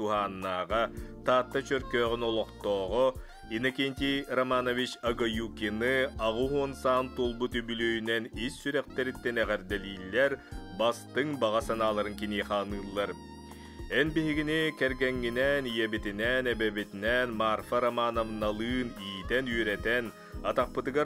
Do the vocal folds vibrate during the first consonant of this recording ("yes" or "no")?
no